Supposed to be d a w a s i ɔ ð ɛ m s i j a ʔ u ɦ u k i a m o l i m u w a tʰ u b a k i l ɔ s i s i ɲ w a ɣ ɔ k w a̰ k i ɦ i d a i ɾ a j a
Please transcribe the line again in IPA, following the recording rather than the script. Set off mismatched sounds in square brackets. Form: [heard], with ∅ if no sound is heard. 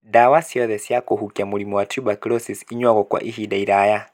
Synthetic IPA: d a w a s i ɔ ð ɛ [∅] s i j a [k] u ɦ u k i a m [u] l i m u w a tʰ u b a k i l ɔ s i s i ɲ w a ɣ ɔ k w a̰ [ʔ] i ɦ i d a i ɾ a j a